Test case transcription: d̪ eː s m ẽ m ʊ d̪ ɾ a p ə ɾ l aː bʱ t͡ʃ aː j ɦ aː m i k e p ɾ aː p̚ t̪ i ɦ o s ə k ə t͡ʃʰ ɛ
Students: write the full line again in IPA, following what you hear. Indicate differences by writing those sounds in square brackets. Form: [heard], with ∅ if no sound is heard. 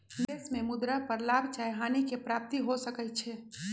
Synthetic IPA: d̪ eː s m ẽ m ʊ d̪ ɾ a p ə ɾ l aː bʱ t͡ʃ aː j ɦ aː [n] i k e p ɾ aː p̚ t̪ i ɦ o s ə k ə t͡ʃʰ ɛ